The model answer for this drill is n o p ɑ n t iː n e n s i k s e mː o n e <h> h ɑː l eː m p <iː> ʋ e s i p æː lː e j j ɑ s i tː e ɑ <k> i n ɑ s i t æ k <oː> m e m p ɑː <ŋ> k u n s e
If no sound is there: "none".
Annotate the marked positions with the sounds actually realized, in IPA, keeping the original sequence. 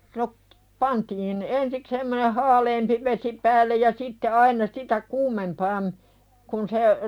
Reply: h, i, none, uː, m

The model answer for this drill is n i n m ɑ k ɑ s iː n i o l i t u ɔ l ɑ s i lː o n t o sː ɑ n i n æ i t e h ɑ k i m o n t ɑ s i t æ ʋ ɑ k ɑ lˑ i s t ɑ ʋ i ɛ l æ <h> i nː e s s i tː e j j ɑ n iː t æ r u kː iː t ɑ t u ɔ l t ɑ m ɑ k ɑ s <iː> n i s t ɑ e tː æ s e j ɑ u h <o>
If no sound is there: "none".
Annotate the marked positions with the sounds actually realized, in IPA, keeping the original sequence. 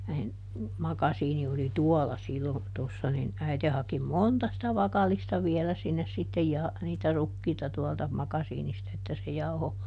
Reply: s, iː, o

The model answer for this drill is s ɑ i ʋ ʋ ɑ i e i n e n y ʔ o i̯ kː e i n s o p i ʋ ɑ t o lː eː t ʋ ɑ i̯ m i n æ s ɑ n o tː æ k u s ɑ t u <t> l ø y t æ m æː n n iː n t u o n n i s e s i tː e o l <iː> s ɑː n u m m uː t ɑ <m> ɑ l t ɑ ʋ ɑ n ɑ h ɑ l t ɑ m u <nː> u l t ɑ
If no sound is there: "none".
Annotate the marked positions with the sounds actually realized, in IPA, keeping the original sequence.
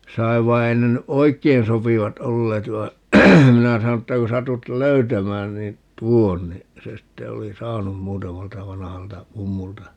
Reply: t, i, m, mː

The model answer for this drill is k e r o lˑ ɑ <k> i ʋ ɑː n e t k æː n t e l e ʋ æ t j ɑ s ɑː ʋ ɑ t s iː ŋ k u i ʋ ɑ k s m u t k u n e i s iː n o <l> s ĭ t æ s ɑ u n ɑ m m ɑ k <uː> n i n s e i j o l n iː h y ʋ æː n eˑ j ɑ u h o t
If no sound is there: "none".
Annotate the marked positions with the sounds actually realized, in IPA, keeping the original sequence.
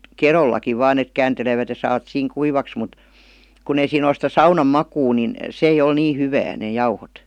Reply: k, l, uː

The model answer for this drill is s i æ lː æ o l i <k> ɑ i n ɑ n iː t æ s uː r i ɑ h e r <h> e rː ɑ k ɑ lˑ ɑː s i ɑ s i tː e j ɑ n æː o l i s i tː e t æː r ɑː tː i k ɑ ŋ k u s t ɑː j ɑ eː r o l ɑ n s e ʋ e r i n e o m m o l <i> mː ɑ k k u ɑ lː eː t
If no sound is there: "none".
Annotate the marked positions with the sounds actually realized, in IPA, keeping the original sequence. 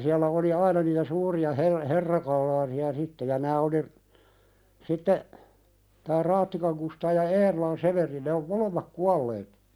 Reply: none, h, e

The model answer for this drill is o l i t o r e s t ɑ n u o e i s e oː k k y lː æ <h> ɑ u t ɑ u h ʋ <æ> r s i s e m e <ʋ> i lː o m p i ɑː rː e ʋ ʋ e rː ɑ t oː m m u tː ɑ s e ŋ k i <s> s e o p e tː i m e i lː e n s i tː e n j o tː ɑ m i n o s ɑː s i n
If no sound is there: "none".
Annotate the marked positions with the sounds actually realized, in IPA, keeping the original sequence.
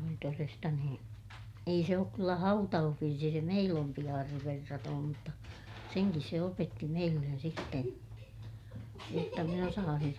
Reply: h, i, none, s

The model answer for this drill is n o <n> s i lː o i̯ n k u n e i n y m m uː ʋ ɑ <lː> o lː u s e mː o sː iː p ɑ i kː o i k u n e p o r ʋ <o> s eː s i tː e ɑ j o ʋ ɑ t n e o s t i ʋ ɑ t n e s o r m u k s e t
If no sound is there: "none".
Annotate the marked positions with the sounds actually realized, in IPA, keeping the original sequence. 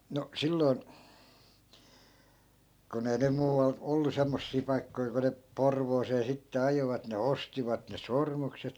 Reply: none, l, oː

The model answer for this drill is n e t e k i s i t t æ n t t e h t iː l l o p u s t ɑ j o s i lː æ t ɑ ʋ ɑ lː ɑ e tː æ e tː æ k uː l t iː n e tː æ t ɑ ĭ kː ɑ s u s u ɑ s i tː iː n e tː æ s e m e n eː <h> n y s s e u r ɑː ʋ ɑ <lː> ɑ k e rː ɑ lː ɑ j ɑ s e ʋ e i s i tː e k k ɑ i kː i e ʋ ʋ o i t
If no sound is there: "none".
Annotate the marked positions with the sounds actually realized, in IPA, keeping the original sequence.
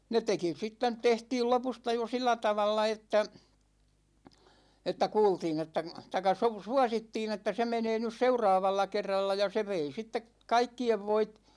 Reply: none, lː

